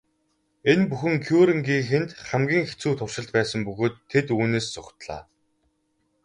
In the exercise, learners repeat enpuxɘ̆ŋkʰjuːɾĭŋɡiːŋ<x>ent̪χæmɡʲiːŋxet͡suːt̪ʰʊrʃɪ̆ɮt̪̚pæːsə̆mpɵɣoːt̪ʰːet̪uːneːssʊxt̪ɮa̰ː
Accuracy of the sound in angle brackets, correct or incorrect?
correct